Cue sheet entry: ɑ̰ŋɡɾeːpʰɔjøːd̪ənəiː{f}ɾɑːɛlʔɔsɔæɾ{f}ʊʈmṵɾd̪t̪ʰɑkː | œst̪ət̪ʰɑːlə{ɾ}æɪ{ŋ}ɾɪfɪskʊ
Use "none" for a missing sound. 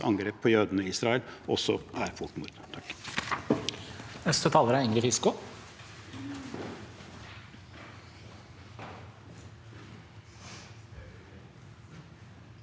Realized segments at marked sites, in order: s, f, ɾ, ŋ

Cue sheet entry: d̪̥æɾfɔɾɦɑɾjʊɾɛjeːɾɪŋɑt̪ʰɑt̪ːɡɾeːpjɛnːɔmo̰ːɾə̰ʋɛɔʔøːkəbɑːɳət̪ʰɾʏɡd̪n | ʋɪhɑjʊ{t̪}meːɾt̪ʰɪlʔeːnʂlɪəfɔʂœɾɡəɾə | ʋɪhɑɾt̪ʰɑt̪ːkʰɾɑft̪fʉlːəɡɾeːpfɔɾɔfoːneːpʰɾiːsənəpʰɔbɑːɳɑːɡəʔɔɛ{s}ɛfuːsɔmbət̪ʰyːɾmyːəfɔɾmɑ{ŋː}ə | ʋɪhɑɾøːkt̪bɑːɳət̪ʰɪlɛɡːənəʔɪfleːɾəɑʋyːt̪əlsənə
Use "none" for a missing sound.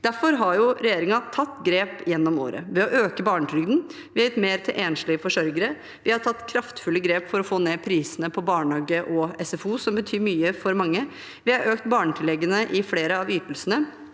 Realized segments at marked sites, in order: t̪, s, ŋː

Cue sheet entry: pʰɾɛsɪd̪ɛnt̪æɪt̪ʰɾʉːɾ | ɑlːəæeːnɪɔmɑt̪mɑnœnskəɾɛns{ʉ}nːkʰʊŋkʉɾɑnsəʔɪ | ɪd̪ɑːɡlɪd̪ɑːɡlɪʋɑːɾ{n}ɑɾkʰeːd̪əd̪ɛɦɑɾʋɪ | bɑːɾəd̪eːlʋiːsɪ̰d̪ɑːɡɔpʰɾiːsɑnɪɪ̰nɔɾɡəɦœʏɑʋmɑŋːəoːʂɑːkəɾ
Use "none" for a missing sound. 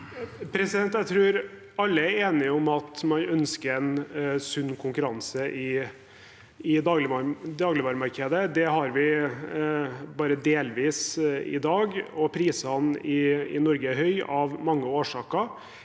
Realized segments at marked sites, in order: ʉ, m

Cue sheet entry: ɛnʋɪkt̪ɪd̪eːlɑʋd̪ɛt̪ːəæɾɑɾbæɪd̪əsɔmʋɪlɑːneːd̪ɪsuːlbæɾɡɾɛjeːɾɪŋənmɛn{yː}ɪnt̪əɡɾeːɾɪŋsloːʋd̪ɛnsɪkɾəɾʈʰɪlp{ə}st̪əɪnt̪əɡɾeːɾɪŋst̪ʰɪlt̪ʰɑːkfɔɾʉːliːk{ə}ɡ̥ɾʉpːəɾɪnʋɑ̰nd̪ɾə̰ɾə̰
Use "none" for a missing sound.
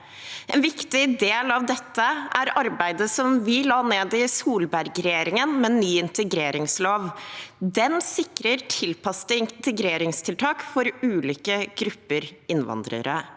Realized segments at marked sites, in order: yː, ɑ, ə

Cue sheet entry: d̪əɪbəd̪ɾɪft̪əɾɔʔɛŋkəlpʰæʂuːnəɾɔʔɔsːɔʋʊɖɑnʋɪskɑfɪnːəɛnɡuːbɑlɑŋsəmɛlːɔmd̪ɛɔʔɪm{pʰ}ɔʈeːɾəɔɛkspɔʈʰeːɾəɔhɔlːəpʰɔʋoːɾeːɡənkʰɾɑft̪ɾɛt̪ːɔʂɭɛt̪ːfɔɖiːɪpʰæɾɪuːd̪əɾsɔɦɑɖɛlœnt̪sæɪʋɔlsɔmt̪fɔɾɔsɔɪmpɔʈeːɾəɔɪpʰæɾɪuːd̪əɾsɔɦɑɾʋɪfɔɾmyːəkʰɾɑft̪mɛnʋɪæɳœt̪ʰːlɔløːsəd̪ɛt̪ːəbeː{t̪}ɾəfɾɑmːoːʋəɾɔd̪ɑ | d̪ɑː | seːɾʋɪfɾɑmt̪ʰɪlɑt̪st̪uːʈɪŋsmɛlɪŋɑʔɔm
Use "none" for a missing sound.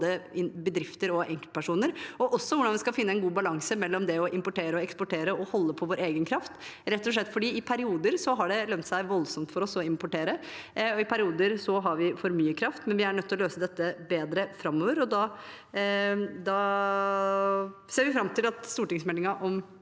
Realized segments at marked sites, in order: p, d̪

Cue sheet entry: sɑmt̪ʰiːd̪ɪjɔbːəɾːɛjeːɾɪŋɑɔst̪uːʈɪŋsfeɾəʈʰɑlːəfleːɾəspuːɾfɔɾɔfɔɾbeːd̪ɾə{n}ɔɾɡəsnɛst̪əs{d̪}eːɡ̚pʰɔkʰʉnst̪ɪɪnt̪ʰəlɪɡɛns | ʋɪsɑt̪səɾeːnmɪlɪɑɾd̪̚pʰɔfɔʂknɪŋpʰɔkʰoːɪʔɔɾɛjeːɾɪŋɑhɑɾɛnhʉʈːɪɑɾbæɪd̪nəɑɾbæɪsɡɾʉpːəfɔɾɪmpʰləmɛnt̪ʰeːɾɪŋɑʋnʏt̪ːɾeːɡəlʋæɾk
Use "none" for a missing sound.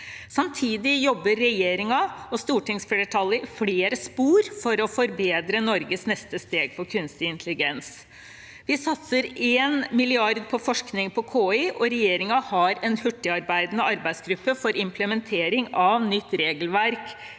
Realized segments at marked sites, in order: n, t̪

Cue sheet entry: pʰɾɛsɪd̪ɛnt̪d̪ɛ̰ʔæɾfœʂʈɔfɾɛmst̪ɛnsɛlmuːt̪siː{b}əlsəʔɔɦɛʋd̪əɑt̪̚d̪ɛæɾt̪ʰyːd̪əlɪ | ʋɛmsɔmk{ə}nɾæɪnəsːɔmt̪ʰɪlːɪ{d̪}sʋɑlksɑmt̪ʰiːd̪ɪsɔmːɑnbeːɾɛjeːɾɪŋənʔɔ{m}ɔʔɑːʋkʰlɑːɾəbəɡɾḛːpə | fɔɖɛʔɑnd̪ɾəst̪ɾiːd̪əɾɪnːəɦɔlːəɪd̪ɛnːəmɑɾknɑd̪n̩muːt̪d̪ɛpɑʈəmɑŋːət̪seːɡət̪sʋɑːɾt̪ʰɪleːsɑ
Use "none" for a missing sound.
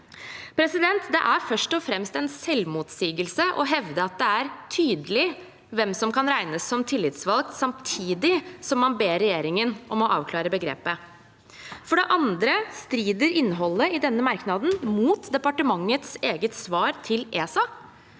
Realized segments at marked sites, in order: ɡ, ɑ, t̪, m

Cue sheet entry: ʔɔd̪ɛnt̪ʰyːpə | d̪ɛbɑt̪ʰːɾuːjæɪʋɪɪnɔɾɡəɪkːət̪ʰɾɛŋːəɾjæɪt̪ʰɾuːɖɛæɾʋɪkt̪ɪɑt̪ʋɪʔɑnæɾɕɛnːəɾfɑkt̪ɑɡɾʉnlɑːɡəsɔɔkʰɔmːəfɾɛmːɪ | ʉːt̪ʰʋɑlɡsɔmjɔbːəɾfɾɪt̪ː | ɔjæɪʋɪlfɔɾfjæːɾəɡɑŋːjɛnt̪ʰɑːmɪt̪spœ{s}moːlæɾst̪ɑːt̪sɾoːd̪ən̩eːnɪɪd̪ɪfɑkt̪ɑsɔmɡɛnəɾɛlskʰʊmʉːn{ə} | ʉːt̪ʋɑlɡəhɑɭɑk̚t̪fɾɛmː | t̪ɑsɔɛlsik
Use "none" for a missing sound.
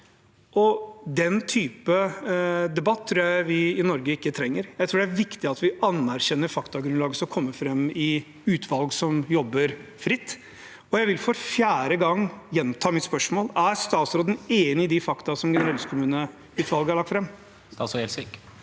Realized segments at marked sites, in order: ʂ, ə

